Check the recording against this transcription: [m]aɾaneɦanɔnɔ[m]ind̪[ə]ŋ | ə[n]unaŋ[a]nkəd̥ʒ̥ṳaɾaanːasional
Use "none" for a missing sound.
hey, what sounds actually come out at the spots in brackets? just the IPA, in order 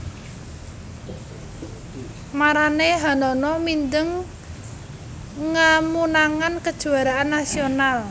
m, m, ə, m, a

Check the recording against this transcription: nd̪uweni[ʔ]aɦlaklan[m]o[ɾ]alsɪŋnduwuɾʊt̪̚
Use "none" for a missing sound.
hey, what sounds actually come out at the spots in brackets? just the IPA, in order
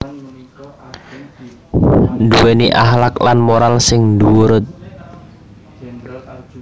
ʔ, m, ɾ

